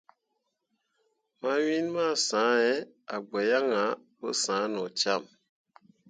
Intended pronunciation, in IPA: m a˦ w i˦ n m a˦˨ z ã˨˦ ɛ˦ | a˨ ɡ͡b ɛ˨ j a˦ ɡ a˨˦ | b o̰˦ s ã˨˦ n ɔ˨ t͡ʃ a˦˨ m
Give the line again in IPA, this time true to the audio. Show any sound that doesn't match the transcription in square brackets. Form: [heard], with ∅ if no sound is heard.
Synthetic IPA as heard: m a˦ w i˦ n m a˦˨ [s] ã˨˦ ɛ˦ | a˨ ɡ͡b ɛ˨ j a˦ [ŋ] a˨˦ | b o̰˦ s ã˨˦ n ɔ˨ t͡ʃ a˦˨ m